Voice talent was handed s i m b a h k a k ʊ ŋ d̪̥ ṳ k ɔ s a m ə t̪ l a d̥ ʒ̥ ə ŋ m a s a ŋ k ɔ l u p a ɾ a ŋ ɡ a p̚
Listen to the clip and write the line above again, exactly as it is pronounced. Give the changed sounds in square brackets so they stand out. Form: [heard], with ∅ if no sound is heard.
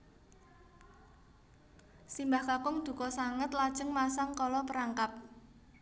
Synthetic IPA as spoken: s i m b a h k a k ʊ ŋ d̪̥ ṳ k ɔ s a [ŋ] ə t̪ l a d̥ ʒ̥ ə ŋ m a s a ŋ k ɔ l [ɔ] p [ə] ɾ a ŋ [k] a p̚

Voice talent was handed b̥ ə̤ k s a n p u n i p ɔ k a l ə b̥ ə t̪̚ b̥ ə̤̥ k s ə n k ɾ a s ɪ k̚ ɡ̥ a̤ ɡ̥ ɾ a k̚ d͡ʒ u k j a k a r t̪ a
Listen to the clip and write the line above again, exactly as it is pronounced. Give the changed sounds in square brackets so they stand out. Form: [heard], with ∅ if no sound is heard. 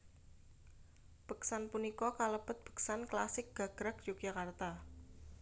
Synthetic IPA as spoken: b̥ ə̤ k s a n p u n i [k] ɔ k a l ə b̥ ə t̪̚ b̥ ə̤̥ k s [a] n k [l] a s ɪ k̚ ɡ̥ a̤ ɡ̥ ɾ a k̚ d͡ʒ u k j a k a r t̪ a

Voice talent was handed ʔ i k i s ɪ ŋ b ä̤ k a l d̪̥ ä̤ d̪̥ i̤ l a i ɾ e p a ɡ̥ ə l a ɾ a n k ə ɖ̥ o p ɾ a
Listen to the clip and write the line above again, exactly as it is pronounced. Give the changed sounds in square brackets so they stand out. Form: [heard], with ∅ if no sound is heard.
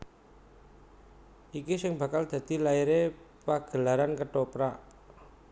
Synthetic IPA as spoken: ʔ i k i s ɪ ŋ b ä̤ k a l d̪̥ ä̤ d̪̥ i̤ l a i ɾ e p a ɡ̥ ə l a ɾ a n k ə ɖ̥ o p ɾ a

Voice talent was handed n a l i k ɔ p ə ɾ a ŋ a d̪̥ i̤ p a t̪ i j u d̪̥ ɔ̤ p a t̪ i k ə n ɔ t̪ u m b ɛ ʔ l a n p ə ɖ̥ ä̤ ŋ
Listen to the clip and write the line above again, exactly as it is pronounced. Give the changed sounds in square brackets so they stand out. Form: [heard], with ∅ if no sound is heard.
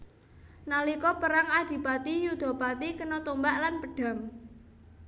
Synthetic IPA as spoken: n a l i k ɔ p ə ɾ a ŋ a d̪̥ i̤ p a t̪ i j u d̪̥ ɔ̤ p a t̪ i k ə n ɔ t̪ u m b [a] ʔ l a n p ə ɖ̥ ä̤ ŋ

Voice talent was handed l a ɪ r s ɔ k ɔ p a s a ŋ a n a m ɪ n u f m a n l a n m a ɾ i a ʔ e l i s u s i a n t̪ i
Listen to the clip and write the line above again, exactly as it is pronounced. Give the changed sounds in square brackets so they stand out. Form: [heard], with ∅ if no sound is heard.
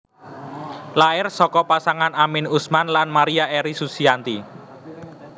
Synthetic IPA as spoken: l a ɪ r s ɔ k ɔ p a s a ŋ a n a m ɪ n u [s] m a n l a n m a ɾ i a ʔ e [ɾ] i s u s i a n t̪ i

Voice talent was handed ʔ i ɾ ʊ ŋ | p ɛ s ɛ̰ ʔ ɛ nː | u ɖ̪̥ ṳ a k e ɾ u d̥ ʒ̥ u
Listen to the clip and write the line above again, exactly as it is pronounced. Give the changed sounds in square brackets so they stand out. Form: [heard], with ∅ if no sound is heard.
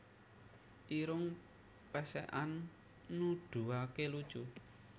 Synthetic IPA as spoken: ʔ i ɾ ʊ ŋ | p ɛ s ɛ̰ ʔ [a] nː | u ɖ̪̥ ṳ a k e [l] u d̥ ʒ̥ u

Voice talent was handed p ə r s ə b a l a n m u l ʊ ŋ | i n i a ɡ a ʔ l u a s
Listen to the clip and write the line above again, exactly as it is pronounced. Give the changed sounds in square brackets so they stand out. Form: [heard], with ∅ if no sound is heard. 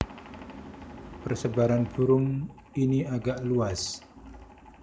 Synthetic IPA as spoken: p ə r s ə b a [ɾ] a n [b] u [ɾ] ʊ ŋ | i n i a ɡ a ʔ l u a s

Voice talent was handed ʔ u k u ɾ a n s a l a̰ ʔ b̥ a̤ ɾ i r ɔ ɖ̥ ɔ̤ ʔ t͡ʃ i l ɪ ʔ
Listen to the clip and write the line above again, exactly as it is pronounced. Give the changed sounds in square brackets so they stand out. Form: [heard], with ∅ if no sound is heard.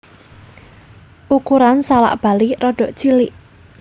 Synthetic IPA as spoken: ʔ u k u ɾ a n s a l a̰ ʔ b̥ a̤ [l] i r ɔ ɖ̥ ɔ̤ ʔ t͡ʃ i l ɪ ʔ

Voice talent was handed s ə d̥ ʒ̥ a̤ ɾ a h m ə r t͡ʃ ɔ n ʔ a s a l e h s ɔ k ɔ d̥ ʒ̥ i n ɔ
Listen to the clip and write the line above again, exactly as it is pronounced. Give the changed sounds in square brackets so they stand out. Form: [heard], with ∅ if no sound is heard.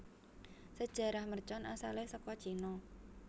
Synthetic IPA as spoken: s ə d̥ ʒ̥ a̤ ɾ a h m ə r t͡ʃ ɔ n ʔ a s a l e h s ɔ k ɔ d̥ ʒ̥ i n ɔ

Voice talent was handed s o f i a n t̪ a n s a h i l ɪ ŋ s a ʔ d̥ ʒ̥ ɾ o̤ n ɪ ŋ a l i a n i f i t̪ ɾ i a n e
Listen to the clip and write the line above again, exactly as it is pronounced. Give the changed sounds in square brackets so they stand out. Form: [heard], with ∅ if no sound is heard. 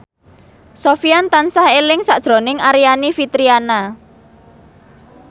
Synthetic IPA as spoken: s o f i a n t̪ a n s a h [e] l ɪ ŋ s a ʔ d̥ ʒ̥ ɾ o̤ n ɪ ŋ a [ɾ] i a n i f i t̪ ɾ i a n [a]

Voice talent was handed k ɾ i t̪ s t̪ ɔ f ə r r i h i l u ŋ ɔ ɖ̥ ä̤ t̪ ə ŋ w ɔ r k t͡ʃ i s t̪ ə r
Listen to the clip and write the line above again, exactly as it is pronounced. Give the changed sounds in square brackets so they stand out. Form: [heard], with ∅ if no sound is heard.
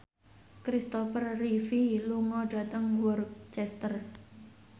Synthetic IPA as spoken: k ɾ i [∅] s t̪ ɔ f ə r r i [f] i l u ŋ ɔ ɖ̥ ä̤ t̪ ə ŋ w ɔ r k t͡ʃ [ɛ] s t̪ ə r

